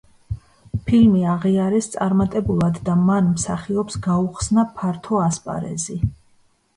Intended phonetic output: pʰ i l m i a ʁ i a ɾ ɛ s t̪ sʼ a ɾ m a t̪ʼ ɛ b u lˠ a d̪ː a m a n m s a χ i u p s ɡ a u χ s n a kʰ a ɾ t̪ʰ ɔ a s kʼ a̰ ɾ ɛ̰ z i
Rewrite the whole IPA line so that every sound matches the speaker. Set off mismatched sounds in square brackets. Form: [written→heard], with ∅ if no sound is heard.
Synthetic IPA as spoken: pʰ i l m i a ʁ i a ɾ ɛ s t̪ sʼ a ɾ m a t̪ʼ ɛ b u lˠ a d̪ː a m a n m s a χ i [u→ɔ] p s ɡ a u χ s n a [kʰ→pʰ] a ɾ t̪ʰ ɔ a s [kʼ→pʼ] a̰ ɾ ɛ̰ z i